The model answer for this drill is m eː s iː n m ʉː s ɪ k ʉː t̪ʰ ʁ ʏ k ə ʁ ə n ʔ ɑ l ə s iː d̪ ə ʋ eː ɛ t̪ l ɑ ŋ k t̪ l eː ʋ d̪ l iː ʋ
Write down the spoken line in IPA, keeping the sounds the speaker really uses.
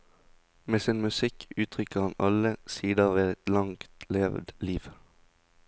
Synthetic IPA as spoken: m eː s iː n m ʉ s ɪ k ʉː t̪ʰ ʁ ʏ k ə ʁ ɑ n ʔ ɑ l ə s iː d̪ ə ʋ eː ɛ t̪ l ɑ ŋ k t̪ l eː ʋ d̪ l iː ʋ